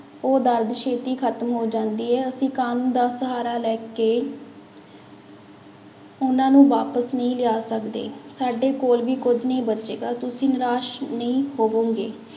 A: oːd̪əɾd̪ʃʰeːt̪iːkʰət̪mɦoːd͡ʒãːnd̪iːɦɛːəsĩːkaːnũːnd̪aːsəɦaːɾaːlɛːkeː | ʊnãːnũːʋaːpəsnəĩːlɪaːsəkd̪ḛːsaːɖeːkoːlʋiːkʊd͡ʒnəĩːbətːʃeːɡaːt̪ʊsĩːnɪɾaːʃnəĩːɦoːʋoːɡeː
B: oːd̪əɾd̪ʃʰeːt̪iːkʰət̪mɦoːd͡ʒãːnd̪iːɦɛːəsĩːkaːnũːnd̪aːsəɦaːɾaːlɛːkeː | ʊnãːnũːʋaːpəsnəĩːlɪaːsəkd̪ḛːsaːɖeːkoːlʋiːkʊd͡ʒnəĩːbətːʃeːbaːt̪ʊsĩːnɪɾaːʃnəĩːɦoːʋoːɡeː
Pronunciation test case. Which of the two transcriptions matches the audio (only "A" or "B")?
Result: A